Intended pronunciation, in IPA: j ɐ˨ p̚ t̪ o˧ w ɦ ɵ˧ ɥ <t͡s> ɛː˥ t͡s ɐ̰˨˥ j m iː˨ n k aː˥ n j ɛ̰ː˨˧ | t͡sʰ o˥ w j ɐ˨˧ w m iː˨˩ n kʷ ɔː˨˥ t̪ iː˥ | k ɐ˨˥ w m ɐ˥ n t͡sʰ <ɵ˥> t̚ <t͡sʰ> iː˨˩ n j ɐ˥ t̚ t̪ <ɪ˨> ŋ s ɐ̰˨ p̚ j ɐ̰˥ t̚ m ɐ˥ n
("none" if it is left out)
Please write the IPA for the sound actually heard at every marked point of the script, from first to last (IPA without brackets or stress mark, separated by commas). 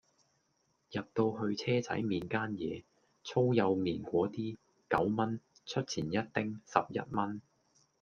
t͡sʰ, ɵ˥, t͡sʰ, ɪ˥